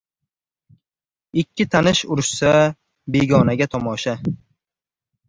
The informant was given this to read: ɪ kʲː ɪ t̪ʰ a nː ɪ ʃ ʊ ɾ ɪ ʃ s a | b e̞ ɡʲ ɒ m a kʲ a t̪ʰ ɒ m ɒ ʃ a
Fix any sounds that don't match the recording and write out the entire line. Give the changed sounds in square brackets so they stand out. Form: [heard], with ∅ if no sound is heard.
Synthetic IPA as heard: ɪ kʲː ɪ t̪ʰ a [n] ɪ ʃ ʊ ɾ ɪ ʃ s a | b e̞ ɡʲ ɒ [n] a [ɡʲ] a t̪ʰ ɒ m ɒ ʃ a